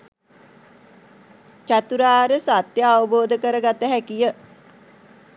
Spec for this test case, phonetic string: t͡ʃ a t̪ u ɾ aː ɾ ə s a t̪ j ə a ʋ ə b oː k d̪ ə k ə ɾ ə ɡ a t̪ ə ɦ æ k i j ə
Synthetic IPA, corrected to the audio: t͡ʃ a t̪ u ɾ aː ɾ ə s a t̪ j ə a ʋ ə b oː d̪ ə k ə ɾ ə ɡ a t̪ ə ɦ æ k i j ə